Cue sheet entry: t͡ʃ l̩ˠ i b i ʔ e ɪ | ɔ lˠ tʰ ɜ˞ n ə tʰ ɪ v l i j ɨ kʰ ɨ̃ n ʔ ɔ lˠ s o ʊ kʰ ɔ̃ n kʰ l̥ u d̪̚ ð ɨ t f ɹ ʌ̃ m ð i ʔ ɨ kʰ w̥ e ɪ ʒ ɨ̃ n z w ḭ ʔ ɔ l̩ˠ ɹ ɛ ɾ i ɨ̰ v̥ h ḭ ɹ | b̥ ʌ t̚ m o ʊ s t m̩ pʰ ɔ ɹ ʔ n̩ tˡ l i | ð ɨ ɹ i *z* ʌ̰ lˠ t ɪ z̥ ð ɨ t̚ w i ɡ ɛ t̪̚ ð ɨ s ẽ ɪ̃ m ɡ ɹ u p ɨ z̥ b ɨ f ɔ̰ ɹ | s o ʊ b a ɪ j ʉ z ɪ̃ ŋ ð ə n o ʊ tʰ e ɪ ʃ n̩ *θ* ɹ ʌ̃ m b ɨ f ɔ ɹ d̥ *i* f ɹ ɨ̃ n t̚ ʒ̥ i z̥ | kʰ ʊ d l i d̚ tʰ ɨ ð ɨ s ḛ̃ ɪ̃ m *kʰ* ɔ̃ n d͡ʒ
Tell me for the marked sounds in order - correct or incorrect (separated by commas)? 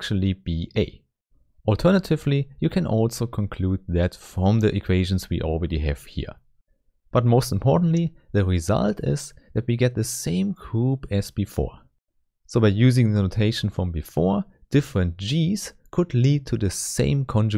correct, incorrect, incorrect, correct